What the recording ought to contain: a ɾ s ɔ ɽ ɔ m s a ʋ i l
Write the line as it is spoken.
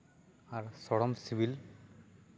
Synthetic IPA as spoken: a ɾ s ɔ ɽ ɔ m s i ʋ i l